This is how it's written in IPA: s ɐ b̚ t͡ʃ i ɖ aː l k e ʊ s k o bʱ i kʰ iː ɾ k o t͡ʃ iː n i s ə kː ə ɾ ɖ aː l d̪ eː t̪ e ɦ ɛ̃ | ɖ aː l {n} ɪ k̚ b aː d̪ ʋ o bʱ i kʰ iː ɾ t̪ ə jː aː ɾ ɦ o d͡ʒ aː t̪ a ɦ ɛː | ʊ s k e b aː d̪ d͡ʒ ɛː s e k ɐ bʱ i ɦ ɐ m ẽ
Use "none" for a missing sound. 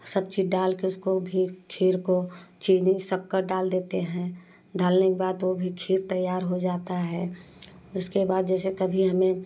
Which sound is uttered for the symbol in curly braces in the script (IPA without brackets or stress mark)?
n